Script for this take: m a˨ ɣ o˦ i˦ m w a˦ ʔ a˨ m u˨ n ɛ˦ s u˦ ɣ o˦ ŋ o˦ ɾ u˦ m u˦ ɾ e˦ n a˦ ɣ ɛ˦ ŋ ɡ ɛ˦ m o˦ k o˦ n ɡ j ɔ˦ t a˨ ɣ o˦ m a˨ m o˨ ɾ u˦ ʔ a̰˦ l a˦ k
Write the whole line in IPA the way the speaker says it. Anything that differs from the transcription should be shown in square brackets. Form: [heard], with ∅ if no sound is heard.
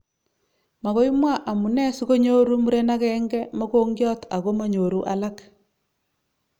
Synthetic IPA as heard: m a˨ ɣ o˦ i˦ m w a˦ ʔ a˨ m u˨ n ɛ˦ s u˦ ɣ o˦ [ɲ] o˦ ɾ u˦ m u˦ ɾ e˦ n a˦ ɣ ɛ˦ ŋ ɡ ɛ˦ m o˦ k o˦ [ŋ] ɡ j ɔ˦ t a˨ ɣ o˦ m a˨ [ɲ] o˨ ɾ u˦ ʔ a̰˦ l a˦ k